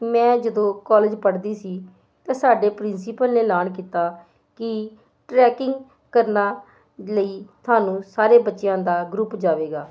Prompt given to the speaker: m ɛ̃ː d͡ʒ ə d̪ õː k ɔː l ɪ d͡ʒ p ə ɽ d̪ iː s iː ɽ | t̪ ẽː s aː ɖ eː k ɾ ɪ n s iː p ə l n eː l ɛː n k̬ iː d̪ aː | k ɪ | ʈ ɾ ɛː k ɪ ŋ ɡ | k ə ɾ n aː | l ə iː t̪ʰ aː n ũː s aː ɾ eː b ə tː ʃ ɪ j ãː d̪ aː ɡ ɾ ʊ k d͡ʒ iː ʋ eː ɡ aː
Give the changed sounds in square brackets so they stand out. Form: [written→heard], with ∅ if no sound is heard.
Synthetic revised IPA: m ɛ̃ː d͡ʒ ə d̪ õː k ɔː l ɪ d͡ʒ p ə ɽ d̪ iː s iː [ɽ→∅] | t̪ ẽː s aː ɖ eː [k→p] ɾ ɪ n s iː p ə l n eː l [ɛː→aː] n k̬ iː [d̪→t̪] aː | k ɪ | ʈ ɾ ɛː k ɪ ŋ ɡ | k ə ɾ n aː | l ə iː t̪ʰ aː n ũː s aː ɾ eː b ə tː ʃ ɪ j ãː d̪ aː ɡ ɾ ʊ [k→p] d͡ʒ [iː→aː] ʋ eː ɡ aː